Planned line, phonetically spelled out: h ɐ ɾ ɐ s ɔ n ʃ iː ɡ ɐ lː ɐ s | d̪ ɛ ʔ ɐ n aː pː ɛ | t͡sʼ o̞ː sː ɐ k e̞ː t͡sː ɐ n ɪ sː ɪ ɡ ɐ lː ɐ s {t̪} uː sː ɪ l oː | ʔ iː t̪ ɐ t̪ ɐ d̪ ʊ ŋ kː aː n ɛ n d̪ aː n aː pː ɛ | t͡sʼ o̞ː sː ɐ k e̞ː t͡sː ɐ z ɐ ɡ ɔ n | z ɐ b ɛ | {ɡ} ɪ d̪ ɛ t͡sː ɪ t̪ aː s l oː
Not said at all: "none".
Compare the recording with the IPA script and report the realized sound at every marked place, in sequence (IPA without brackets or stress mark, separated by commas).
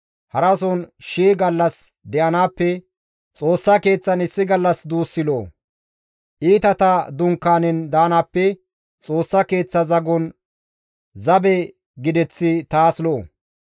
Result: d̪, ɡ